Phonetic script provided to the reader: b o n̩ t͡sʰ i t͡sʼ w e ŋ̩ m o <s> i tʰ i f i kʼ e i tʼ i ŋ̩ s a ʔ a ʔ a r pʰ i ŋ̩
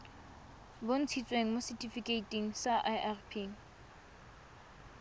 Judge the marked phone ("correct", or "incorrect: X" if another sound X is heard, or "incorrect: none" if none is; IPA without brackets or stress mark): correct